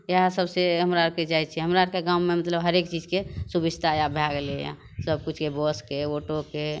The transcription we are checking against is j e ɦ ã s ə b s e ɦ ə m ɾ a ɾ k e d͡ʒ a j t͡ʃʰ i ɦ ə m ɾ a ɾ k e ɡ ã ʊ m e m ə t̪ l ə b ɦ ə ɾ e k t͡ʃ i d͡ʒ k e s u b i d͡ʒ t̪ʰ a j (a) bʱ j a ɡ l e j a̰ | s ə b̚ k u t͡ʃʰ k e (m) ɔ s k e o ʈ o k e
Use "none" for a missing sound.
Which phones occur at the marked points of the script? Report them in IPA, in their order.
a, b

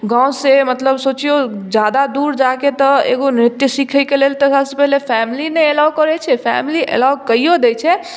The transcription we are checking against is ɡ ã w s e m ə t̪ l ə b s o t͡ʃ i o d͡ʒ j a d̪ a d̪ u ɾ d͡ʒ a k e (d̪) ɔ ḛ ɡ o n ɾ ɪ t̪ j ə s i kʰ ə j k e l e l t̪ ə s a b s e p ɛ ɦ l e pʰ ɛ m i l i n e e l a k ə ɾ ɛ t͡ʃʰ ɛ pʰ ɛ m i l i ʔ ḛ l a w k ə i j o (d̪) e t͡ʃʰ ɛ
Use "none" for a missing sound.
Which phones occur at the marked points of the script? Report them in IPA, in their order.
t̪, d̪

